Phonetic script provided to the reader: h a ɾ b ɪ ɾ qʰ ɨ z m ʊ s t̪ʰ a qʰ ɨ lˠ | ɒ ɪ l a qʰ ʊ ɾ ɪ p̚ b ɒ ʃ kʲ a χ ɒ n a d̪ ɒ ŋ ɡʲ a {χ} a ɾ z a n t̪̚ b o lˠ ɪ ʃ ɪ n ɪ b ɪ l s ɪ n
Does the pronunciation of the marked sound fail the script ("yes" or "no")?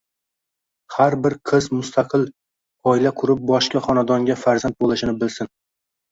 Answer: yes